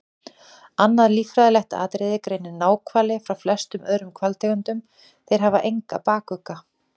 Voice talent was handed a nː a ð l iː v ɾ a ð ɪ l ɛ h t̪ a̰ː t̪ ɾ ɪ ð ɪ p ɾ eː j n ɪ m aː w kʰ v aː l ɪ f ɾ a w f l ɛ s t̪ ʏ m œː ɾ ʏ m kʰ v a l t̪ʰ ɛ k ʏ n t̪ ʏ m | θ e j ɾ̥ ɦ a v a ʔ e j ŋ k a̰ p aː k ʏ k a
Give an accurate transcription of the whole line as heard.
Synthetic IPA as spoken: a nː a ð l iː f ɾ a ð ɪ l ɛ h t̪ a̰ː t̪ ɾ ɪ ð ɪ k ɾ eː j n ɪ n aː w kʰ v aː l ɪ f ɾ a w f l ɛ s t̪ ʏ m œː ɾ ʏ m kʰ v a l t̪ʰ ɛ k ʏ n t̪ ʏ m | θ e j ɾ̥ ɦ a v a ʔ e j ŋ k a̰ p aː k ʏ k a